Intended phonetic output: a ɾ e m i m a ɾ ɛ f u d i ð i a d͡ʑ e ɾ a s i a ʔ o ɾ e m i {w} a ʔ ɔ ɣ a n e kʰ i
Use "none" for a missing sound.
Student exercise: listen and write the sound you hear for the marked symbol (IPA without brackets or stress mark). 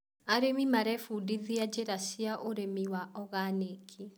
w